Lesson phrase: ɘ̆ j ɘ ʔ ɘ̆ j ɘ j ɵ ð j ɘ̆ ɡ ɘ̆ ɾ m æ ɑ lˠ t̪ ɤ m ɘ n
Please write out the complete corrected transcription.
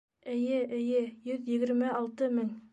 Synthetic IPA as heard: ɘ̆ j ɘ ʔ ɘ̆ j ɘ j ɵ ð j ɘ̆ ɡ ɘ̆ ɾ m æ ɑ lˠ t̪ ɤ m ɘ ŋ